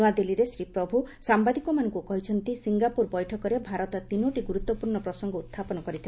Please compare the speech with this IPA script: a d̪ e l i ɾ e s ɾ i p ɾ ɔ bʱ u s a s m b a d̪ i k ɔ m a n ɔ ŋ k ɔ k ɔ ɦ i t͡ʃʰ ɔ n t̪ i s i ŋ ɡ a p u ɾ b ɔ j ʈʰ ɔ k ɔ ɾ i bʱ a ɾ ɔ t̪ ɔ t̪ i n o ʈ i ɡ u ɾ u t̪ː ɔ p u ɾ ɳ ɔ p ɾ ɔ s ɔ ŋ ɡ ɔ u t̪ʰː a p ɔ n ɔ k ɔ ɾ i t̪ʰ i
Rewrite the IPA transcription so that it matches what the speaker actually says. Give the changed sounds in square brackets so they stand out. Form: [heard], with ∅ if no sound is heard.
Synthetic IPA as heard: a d̪ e l i ɾ e s ɾ i p ɾ ɔ bʱ u s a [∅] m b a d̪ i k ɔ m a n ɔ ŋ k [u] k ɔ ɦ i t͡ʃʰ ɔ n t̪ i s i ŋ ɡ a p u ɾ b ɔ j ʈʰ ɔ k ɔ ɾ [e] bʱ a ɾ ɔ t̪ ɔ t̪ i n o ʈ i ɡ u ɾ u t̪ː ɔ p u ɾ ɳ ɔ p ɾ ɔ s ɔ ŋ ɡ ɔ u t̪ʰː a p ɔ n ɔ k ɔ ɾ i t̪ʰ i